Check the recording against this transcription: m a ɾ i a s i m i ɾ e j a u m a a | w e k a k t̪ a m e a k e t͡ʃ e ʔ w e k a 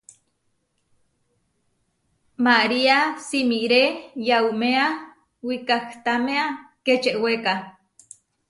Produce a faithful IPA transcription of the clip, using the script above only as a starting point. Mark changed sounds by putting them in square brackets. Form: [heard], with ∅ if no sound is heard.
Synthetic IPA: m a ɾ i a s i m i ɾ e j a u m [e] a | w [i] k a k t̪ a m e a k e t͡ʃ e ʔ w e k a